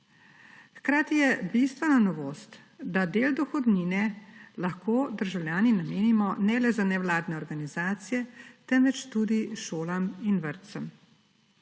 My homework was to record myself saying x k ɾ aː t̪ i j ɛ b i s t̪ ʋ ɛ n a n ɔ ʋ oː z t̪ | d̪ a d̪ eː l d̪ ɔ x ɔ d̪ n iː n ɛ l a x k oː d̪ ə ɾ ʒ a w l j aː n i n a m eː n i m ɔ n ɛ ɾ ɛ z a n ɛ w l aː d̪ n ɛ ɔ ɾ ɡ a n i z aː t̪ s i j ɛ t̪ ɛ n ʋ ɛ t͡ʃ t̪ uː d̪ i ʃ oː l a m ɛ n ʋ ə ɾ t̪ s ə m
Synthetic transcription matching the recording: x k ɾ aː t̪ i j ɛ b i s t̪ ʋ ɛ n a n ɔ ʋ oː s t̪ | d̪ a d̪ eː l d̪ ɔ x ɔ d̪ n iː n ɛ l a x k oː d̪ ə ɾ ʒ a w l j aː n i n a m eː n i m ɔ n ɛ l ɛ z a n ɛ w l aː d̪ n ɛ ɔ ɾ ɡ a n i z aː t̪ s i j ɛ t̪ ɛ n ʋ ɛ t͡ʃ t̪ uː d̪ i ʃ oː l a m i n ʋ ə ɾ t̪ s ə m